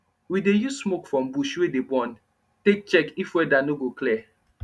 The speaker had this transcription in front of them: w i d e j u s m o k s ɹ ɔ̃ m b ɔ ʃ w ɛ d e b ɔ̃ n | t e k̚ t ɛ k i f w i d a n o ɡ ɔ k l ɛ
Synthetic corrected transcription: w i d e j u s m o k f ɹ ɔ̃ m b u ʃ w e d e b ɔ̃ n | t e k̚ t͡ʃ ɛ k i f w ɛ d a n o ɡ o k l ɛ